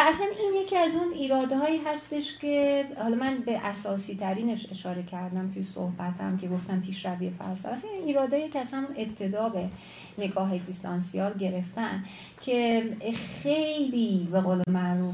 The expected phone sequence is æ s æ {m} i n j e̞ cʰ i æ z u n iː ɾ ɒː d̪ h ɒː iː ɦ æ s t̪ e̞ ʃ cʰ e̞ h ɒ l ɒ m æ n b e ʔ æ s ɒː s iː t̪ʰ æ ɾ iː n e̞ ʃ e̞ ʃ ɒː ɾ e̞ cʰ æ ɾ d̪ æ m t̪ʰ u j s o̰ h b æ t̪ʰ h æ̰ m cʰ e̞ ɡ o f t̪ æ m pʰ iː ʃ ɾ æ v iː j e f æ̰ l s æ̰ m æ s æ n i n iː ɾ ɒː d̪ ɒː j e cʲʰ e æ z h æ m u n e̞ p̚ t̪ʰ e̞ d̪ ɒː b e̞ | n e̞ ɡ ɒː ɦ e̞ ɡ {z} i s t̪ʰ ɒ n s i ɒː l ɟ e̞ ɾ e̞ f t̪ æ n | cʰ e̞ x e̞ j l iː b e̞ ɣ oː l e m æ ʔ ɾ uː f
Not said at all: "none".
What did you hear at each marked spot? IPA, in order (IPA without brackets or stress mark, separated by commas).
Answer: n, z